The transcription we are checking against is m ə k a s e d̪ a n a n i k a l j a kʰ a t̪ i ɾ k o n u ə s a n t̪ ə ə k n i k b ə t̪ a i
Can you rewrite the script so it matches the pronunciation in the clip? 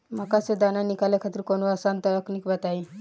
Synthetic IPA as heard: m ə k a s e d̪ a n a n i k a l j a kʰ a t̪ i ɾ k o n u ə s a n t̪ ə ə k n i k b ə t̪ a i